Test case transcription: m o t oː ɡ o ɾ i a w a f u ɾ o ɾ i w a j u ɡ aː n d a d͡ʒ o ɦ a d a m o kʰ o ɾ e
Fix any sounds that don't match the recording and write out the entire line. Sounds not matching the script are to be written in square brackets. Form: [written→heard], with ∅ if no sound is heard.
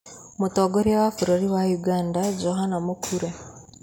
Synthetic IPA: m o t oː ɡ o ɾ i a w a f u ɾ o ɾ i w a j u ɡ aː n d a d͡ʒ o ɦ a [d→n] a m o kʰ [o→u] ɾ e